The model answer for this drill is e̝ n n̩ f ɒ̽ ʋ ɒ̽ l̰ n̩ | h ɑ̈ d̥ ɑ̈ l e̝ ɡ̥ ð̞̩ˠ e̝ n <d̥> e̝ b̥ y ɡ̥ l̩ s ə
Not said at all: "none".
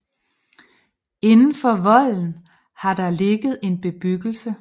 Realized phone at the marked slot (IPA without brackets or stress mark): b̥